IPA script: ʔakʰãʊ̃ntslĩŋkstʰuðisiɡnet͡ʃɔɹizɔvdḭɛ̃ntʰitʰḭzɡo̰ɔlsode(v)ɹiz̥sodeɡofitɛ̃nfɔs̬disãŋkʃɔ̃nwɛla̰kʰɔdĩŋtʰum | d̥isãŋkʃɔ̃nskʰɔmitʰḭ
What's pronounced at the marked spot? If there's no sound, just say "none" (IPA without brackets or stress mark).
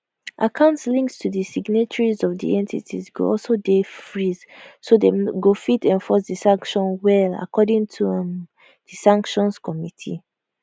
f